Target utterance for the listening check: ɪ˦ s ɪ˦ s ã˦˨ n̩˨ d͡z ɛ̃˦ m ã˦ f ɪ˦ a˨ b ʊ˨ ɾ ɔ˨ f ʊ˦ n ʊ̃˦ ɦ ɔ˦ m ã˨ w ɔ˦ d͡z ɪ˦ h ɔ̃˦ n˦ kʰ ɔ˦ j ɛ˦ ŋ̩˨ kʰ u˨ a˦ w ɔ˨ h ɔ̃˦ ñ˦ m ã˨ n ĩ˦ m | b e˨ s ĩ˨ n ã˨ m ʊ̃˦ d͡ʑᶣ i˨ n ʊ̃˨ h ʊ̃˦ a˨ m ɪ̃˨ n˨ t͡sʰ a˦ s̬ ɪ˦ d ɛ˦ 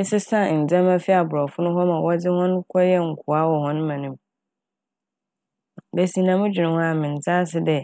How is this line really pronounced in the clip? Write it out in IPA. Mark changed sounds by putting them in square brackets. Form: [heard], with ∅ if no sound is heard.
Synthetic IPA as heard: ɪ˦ s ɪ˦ s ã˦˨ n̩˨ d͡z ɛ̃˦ m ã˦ f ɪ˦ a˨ b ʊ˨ ɾ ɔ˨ f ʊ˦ n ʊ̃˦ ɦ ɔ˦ m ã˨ w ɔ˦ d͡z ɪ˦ h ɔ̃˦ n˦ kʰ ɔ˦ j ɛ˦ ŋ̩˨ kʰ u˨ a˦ w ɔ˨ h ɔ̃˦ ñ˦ m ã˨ n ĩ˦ m | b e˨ s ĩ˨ n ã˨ m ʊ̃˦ d͡ʑᶣ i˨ n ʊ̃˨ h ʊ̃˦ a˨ m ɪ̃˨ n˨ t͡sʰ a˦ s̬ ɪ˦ d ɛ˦